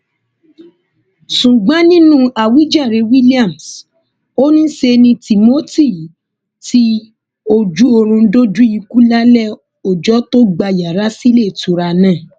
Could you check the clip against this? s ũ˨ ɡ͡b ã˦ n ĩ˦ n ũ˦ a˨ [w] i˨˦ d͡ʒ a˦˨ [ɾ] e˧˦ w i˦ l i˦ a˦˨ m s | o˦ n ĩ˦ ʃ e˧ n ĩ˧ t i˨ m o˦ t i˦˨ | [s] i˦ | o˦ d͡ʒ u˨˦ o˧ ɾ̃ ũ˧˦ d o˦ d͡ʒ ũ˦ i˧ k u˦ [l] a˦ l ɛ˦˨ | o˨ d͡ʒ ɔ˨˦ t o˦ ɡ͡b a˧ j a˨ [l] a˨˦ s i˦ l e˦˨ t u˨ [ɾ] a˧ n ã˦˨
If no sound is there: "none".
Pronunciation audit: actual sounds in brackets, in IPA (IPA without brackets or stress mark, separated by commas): w, ɾ, t, l, ɾ, ɾ